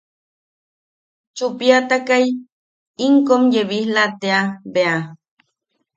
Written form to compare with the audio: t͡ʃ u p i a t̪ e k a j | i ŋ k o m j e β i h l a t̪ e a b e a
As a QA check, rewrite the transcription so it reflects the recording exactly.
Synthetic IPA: t͡ʃ u p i a t̪ a k a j | i ŋ k o m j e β i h l a t̪ e a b e a